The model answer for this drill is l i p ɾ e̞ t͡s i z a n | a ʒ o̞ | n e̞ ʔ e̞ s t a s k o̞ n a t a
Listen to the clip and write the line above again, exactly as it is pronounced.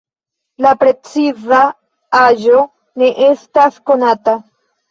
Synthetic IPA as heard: l a p ɾ e̞ t͡s i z a | a ʒ o̞ | n e̞ ʔ e̞ s t a s k o̞ n a t a